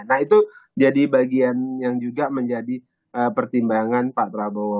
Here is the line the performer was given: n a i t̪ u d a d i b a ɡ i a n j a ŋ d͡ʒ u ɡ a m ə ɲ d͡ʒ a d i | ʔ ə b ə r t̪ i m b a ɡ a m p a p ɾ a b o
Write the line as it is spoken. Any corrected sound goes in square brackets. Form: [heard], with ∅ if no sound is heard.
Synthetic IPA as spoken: n a i t̪ u [d͡ʒ] a d i b a ɡ i a n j a ŋ d͡ʒ u ɡ a m ə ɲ d͡ʒ a d i | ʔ ə [p] ə r t̪ i m b a [ŋ] a [n] p a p ɾ a b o